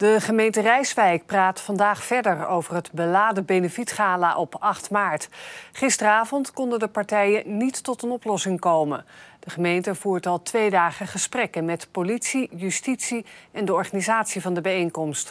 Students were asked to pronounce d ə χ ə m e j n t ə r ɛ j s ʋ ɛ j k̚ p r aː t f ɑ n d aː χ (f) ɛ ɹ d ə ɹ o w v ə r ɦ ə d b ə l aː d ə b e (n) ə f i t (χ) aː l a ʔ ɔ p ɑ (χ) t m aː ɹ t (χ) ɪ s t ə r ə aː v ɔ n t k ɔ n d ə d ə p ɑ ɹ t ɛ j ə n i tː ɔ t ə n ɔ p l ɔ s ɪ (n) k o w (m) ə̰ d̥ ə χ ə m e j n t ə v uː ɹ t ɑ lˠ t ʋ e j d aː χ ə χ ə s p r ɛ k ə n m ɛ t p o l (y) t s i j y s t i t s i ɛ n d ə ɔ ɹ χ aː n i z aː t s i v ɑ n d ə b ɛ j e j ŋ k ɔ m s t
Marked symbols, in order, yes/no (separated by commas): yes, yes, yes, yes, yes, no, yes, no